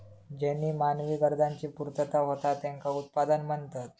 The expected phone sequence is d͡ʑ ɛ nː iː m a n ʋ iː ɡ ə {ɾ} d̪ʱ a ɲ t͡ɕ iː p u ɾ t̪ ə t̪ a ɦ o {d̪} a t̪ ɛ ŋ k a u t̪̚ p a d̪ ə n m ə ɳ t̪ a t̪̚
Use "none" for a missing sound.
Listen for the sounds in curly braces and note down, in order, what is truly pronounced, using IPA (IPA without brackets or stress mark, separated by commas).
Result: ɾ, t̪